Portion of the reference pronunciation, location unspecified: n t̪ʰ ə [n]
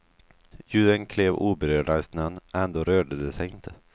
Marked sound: incorrect: none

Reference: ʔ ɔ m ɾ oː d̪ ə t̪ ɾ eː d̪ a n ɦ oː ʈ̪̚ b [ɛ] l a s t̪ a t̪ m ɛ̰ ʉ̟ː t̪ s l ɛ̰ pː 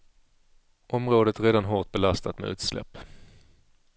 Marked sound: correct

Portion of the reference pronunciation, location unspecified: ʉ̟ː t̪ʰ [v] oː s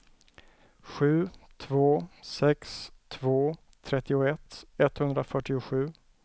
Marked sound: correct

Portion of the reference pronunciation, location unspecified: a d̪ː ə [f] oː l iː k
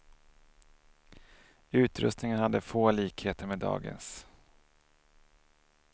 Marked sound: correct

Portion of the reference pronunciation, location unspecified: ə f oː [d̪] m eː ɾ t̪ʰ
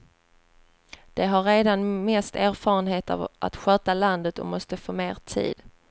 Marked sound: incorrect: none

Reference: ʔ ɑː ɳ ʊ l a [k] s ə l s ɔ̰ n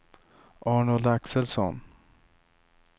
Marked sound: correct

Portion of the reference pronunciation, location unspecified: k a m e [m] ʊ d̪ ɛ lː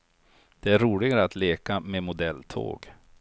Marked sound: correct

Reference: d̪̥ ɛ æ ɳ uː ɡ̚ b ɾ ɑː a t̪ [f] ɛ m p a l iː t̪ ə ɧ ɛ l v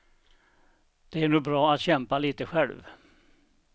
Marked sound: incorrect: ɕ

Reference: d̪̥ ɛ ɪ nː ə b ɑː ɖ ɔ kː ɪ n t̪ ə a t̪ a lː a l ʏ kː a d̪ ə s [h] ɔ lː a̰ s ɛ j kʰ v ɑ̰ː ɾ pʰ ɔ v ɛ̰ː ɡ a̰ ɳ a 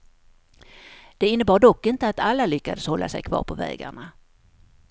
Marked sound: correct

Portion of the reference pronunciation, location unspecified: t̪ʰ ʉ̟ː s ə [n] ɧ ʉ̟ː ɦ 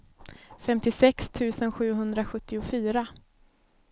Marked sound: correct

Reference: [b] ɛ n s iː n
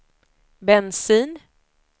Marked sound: correct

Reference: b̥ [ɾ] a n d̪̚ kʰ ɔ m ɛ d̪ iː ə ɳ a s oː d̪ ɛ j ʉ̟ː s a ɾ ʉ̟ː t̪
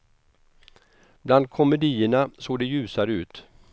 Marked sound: incorrect: l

